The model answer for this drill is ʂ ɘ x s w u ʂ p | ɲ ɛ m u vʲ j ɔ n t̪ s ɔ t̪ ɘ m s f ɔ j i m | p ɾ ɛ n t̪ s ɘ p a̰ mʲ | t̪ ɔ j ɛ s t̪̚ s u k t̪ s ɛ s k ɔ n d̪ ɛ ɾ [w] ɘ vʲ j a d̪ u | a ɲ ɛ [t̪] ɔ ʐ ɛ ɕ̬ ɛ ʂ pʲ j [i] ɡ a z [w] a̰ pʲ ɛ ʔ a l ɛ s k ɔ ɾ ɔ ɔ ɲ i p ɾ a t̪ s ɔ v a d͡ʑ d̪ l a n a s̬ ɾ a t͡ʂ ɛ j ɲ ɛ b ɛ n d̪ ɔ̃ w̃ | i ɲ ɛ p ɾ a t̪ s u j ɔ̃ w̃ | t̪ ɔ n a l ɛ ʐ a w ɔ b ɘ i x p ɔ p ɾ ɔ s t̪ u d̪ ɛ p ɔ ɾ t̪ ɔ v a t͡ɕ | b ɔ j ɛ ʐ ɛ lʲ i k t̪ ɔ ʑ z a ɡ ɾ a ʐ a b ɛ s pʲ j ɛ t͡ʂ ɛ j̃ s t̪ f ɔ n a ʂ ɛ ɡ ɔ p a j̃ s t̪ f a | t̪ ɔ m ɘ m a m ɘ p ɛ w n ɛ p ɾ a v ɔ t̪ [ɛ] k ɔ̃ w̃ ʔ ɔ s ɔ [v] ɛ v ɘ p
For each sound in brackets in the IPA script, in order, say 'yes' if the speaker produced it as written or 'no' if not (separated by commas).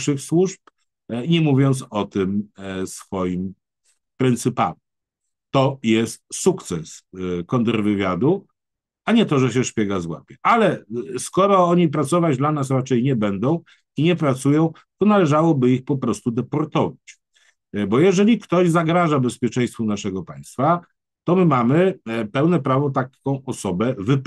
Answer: no, yes, no, yes, no, no